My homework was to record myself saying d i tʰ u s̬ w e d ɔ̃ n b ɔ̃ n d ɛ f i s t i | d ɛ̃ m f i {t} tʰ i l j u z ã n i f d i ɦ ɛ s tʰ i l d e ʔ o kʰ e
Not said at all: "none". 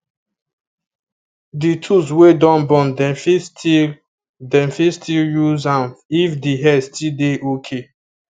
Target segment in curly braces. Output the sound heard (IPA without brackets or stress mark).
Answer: s